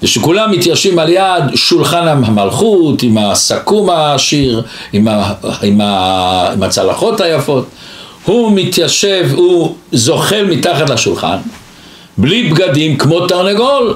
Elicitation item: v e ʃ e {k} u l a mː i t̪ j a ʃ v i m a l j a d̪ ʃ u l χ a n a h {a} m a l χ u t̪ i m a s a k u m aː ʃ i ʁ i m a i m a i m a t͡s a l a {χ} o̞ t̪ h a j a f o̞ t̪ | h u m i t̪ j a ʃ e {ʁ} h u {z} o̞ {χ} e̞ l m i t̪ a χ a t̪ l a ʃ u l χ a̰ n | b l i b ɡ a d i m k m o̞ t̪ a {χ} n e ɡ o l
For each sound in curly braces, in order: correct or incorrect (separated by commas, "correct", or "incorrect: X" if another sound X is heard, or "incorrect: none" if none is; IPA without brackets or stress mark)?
correct, correct, correct, incorrect: v, correct, correct, incorrect: ʁ